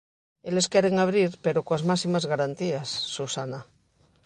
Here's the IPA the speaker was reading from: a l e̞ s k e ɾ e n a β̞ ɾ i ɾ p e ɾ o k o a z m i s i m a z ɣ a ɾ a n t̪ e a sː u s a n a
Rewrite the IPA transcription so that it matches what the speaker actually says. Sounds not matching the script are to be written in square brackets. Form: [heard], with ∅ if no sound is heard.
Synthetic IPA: [e] l e̞ s k e ɾ e [ŋ] a β̞ ɾ i ɾ p e ɾ o k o a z m [a] s i m a z ɣ a ɾ a n t̪ [i] a sː u s a n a

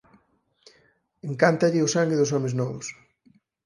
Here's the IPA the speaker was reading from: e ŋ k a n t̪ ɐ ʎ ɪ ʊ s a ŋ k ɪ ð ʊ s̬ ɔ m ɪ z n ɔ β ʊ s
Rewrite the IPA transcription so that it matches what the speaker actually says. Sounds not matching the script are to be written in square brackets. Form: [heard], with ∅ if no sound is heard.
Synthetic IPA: e ŋ k a n t̪ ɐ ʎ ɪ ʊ s a ŋ [ɡ] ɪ ð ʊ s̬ ɔ m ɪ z n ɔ β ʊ s

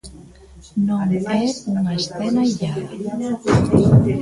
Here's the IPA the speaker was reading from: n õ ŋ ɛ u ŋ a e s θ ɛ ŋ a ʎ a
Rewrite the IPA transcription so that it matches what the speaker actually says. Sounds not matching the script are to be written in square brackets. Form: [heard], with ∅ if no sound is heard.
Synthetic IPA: n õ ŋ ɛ u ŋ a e s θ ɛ [n] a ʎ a

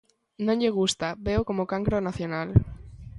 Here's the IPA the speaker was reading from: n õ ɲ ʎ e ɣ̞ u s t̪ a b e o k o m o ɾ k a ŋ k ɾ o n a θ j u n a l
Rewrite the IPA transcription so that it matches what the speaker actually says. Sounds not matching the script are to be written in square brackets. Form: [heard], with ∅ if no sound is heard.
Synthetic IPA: n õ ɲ ʎ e ɣ̞ u s t̪ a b e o k o m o [∅] k a ŋ k ɾ o n a θ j [o] n a l

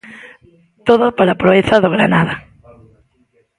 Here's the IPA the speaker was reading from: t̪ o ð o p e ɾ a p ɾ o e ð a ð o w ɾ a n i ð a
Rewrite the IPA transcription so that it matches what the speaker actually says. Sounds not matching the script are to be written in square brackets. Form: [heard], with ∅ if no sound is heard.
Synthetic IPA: t̪ o ð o p [a] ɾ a p ɾ o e [θ] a ð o [ɣ] ɾ a n [a] ð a

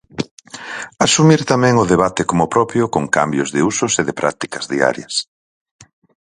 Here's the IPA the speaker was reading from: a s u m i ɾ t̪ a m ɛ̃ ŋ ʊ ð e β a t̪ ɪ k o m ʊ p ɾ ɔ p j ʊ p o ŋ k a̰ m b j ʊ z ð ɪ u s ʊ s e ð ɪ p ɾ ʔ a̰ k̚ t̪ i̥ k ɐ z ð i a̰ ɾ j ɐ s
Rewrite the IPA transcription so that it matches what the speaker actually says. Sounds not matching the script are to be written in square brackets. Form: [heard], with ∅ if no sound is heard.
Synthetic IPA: a s u m i ɾ t̪ a m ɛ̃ ŋ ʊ ð e β a t̪ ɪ k o m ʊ p ɾ ɔ p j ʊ [k] o ŋ k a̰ m b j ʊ z ð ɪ u s ʊ s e ð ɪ p ɾ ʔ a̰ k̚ t̪ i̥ k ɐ z ð i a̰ ɾ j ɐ s

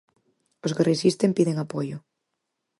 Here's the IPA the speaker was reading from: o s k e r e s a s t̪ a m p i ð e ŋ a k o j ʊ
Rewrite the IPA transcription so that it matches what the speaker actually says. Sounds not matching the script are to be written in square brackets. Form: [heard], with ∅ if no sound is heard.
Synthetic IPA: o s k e r e s [i] s t̪ [e] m p i ð e ŋ a [p] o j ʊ

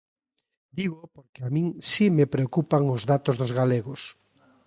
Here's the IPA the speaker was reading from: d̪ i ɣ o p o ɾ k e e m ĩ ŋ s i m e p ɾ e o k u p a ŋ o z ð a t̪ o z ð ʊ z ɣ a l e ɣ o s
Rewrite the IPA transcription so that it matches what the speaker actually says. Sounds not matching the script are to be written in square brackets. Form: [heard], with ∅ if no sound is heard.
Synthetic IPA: d̪ i ɣ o p o ɾ k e [a] m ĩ ŋ s i m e p ɾ e o k u p a ŋ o z ð a t̪ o z ð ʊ z ɣ a l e ɣ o s

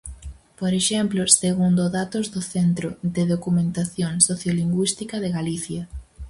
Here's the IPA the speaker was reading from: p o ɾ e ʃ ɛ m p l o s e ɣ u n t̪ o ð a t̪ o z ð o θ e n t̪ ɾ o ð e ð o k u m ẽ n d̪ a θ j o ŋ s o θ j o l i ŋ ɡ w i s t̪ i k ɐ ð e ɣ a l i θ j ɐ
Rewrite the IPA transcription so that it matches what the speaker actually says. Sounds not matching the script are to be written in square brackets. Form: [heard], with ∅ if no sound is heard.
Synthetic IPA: p o ɾ e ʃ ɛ m p l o s e ɣ u n [d̪] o ð a t̪ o z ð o θ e n t̪ ɾ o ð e ð o k u m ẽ n [t̪] a θ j o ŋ s o θ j o l i ŋ ɡ w i s t̪ i k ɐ ð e ɣ a l i θ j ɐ

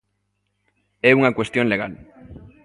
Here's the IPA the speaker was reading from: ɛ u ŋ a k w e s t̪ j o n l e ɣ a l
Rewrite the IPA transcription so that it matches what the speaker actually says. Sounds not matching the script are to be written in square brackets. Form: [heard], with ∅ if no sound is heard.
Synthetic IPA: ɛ u ŋ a k w e s t̪ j o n l e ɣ a l

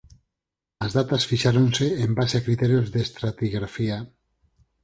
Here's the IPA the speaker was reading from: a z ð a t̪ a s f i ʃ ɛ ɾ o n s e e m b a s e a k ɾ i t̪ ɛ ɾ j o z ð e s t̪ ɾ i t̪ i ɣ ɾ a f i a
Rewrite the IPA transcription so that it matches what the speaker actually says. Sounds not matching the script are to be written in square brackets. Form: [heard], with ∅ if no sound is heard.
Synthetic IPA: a z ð a t̪ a s f i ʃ [a] ɾ o n s e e m b a s e a k ɾ i t̪ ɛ ɾ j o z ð e s t̪ ɾ [a] t̪ i ɣ ɾ a f i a

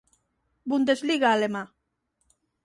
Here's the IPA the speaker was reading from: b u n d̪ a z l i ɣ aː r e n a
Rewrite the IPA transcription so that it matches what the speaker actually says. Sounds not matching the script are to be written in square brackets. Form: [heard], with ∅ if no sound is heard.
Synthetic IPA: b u n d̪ [e] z l i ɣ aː [l] e [m] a

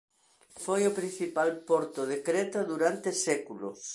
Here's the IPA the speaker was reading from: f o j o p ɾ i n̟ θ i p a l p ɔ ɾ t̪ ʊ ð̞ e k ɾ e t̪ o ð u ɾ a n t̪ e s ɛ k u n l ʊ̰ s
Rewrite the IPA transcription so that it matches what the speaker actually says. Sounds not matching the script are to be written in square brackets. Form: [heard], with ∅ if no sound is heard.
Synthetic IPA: f o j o p ɾ i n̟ θ i p a l p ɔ ɾ t̪ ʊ ð̞ e k ɾ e t̪ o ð u ɾ a n t̪ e s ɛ k u [∅] l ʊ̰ s

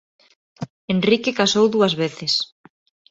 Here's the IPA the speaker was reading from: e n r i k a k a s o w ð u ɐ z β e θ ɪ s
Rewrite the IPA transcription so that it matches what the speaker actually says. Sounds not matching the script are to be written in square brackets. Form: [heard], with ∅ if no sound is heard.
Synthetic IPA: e n r i k [e] k a s o w ð u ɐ z β e θ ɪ s

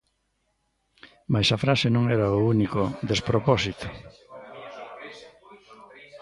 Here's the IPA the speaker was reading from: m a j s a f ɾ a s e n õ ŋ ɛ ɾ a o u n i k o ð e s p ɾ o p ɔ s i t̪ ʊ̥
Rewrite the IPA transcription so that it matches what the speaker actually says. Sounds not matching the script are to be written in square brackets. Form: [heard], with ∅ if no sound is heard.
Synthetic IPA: m a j s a f ɾ a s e n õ ŋ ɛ ɾ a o u n i k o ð e s p ɾ o p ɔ s i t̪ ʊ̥

